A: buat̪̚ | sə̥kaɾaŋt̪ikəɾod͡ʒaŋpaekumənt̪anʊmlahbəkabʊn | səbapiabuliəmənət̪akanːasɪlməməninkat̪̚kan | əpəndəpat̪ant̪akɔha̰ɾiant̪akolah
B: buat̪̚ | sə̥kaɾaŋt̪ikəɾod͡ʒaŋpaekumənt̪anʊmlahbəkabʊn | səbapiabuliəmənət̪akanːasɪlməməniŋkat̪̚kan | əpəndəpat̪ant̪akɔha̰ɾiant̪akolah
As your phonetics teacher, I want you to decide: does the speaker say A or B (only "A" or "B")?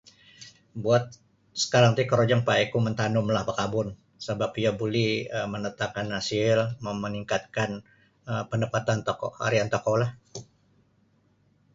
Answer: B